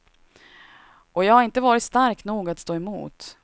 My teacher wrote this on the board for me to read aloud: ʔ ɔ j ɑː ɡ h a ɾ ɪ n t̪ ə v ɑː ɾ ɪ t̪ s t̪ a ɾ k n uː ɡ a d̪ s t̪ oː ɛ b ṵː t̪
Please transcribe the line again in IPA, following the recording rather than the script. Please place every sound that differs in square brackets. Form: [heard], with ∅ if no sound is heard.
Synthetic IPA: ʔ ɔ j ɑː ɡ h a ɾ ɪ n t̪ ə v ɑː ɾ ɪ t̪ s t̪ a ɾ k n uː ɡ a [t̪] s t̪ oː ɛ [m] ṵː t̪